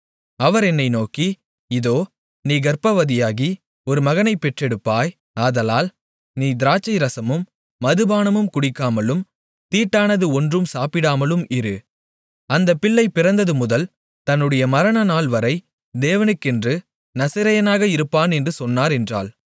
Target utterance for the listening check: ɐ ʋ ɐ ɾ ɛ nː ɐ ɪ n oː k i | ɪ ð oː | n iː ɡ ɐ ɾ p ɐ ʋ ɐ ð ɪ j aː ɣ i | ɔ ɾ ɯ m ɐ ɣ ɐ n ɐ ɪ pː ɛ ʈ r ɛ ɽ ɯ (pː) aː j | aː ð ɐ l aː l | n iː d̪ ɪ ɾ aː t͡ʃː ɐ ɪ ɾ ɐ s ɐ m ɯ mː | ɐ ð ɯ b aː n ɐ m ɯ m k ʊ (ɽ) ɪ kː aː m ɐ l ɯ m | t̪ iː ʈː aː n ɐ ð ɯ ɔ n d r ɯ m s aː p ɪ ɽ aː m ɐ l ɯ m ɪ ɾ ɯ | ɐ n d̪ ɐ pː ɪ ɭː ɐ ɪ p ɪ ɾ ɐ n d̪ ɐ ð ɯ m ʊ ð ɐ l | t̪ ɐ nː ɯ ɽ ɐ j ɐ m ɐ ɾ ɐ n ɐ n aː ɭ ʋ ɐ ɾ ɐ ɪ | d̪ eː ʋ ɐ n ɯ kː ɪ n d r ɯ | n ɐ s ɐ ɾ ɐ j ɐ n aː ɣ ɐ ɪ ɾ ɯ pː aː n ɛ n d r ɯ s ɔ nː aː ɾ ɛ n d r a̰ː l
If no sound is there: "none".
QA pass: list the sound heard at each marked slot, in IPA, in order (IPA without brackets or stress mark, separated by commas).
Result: pː, ɽ